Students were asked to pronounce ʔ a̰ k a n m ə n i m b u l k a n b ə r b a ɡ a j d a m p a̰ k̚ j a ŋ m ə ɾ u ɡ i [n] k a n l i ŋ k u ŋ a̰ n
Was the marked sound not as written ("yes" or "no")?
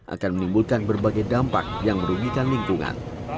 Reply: yes